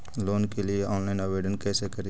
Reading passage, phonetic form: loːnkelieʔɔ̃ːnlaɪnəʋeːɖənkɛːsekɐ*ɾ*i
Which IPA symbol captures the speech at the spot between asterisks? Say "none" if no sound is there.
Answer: ɾ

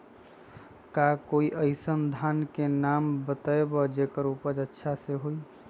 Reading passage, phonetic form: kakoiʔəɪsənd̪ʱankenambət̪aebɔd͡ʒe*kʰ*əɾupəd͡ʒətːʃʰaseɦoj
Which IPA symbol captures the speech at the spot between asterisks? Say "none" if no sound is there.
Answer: k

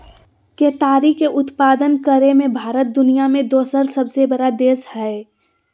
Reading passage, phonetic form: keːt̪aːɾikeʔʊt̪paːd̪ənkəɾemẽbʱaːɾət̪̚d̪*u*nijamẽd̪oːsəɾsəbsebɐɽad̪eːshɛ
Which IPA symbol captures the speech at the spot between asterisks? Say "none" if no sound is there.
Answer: ʊ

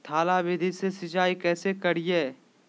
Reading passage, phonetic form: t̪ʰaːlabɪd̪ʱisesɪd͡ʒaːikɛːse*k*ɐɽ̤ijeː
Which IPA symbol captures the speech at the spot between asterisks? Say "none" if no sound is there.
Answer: k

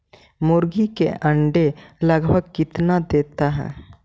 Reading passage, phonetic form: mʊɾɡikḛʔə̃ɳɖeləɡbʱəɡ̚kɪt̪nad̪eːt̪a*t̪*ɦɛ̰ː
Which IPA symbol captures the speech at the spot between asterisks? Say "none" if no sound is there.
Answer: none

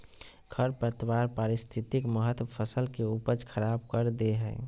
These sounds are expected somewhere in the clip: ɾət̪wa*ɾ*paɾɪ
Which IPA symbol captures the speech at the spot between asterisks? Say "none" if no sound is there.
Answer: ɾ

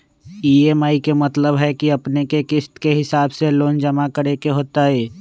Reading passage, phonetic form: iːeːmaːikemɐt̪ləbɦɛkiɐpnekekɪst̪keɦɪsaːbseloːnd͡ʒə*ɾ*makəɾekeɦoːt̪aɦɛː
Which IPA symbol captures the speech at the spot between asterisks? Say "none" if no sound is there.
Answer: none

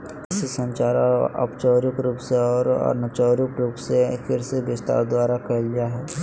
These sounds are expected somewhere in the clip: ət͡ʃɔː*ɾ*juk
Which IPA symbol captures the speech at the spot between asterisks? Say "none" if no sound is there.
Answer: ɾ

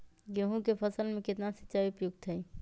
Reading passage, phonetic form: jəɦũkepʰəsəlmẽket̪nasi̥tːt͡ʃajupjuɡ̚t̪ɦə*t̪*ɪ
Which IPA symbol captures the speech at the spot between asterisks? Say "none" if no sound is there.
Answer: none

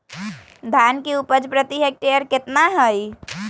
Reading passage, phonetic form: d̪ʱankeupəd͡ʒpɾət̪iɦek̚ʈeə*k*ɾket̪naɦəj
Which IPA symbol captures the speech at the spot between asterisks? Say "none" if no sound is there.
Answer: none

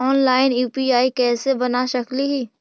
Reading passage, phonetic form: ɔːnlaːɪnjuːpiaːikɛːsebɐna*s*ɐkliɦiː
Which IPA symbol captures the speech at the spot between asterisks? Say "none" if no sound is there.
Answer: ʃ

